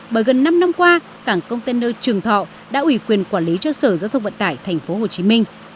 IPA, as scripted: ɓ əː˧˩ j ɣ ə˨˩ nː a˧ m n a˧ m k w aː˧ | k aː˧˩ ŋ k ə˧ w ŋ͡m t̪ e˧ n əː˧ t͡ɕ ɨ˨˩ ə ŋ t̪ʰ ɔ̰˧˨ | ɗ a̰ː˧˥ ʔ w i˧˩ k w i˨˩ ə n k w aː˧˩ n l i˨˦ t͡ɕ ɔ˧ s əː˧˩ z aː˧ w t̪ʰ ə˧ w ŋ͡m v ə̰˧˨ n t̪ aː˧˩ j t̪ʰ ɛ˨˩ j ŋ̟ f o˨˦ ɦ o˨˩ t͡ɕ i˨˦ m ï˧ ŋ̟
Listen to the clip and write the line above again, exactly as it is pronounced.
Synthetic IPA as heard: ɓ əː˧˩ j ɣ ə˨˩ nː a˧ m n a˧ m k w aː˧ | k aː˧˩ ŋ k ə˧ w ŋ͡m t̪ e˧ n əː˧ t͡ɕ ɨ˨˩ ə ŋ t̪ʰ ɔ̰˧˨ | ɗ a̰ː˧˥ ʔ w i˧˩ k w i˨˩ ə n k w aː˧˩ n l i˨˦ t͡ɕ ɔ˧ s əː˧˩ z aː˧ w t̪ʰ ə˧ w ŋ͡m v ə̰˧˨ n t̪ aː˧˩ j t̪ʰ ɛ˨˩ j ŋ̟ f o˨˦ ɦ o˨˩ t͡ɕ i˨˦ m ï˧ ŋ̟